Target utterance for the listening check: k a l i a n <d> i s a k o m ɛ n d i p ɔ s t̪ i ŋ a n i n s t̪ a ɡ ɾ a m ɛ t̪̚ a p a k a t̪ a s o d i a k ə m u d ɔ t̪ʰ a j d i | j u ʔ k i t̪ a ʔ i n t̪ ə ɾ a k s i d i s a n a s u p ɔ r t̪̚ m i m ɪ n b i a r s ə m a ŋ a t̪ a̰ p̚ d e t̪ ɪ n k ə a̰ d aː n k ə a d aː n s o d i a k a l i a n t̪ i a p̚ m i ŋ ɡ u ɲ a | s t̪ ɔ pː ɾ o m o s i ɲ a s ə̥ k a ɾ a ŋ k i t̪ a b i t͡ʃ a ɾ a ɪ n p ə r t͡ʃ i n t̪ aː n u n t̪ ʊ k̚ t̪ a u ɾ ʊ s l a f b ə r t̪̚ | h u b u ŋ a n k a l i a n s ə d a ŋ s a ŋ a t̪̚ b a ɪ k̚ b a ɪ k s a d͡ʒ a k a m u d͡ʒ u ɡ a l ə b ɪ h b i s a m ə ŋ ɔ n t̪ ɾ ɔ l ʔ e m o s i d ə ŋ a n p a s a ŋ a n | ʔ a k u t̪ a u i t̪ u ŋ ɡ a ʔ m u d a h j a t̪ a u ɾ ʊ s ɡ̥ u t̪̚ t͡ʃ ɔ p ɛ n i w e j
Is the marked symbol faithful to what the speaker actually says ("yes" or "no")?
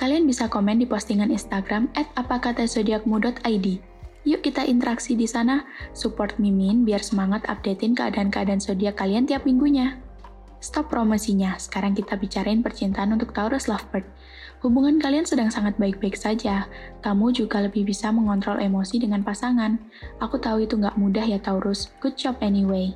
no